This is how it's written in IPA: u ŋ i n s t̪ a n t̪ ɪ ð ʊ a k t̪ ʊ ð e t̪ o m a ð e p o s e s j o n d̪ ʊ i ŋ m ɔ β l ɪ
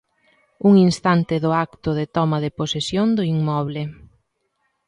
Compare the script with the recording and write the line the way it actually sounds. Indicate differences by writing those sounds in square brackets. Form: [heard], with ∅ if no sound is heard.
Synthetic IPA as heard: u ŋ i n s t̪ a n t̪ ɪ ð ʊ a k t̪ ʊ ð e t̪ [ɔ] m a ð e p o s e s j o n d̪ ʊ i ŋ m ɔ β l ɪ